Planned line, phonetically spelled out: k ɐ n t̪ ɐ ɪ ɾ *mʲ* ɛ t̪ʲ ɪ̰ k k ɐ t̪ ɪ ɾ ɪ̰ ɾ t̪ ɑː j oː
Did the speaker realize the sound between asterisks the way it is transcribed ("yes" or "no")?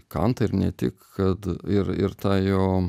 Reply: no